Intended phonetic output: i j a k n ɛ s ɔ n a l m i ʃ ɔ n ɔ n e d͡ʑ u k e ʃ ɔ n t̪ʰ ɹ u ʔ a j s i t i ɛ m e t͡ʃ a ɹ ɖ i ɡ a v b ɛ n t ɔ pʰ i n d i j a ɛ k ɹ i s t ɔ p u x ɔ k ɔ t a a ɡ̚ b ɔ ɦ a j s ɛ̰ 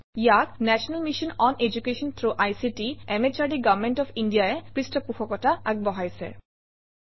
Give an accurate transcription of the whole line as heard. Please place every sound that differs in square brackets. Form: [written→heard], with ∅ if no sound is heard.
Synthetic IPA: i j a k n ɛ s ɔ n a l m i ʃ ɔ n ɔ n e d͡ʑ u k e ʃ ɔ n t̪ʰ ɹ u ʔ a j s i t i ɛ m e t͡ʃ a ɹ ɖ i ɡ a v [b→m] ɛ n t ɔ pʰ i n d i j a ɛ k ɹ i s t ɔ p u x ɔ k ɔ t a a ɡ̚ b ɔ ɦ a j s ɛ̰